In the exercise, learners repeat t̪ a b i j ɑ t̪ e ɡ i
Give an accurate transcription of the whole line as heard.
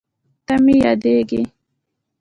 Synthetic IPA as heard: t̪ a m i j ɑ d̪ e ɡ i